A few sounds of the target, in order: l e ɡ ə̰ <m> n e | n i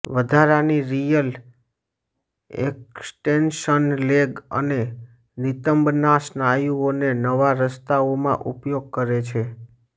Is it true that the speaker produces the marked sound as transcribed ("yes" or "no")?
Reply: no